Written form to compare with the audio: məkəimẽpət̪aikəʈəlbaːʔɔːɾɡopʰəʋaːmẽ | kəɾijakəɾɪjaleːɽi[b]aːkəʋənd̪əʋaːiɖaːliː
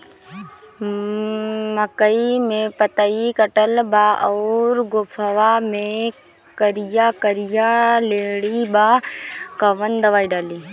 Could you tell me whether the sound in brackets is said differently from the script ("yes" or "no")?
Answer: no